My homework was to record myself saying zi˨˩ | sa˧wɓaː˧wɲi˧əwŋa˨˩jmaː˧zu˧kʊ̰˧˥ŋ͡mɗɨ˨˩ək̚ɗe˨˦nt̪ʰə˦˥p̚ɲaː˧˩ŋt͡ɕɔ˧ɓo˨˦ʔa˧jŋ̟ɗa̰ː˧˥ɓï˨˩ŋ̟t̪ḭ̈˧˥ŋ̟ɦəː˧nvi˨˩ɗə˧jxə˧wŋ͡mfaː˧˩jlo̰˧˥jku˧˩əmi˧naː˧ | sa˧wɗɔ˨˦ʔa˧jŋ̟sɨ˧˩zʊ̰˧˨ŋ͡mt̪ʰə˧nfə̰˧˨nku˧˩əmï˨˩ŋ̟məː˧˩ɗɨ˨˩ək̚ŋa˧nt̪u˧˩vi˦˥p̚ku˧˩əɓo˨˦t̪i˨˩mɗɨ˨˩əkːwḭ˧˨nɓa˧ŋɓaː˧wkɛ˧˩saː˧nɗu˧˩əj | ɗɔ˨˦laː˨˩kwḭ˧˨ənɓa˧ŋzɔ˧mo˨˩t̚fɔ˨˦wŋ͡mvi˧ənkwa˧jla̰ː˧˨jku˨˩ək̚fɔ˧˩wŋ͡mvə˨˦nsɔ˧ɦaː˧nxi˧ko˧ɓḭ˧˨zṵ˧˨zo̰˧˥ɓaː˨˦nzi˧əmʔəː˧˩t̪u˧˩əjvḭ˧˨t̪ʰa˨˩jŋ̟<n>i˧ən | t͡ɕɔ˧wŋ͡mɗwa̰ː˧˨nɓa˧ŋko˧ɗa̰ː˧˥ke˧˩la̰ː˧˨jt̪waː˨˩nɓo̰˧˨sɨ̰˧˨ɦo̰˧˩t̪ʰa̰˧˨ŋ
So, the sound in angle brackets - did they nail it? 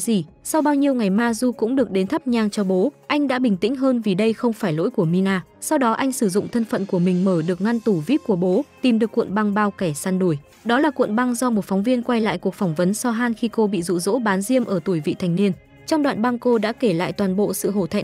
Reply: yes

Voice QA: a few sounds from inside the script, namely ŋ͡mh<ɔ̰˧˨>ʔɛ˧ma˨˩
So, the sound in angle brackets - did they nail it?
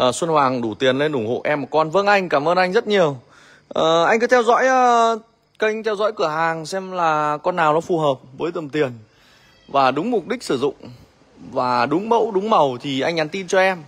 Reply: no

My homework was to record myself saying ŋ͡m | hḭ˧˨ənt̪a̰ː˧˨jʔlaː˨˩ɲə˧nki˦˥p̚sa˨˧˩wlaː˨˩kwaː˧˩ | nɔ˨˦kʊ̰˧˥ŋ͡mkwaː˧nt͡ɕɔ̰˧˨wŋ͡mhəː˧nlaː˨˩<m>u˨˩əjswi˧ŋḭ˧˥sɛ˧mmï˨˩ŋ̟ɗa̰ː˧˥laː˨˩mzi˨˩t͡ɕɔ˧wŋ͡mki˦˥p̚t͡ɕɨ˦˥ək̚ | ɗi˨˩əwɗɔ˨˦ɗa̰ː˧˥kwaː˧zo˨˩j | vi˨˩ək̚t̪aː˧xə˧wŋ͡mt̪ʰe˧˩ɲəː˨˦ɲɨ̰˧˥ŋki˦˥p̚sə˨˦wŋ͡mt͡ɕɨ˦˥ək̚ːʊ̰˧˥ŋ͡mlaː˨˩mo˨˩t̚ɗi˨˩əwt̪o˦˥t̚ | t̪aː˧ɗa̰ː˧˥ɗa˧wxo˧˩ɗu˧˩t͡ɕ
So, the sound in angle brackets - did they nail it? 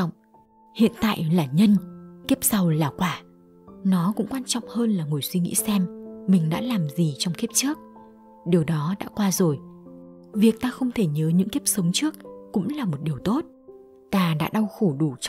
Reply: no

